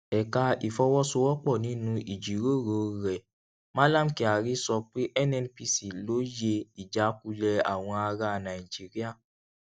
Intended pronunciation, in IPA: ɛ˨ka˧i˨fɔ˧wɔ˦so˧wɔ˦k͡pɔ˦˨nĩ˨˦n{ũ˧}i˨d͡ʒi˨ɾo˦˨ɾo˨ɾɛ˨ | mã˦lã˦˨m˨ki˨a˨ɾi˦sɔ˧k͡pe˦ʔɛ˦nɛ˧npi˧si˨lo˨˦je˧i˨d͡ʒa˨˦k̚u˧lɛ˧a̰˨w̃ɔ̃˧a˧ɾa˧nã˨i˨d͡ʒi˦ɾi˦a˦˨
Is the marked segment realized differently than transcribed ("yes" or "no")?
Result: no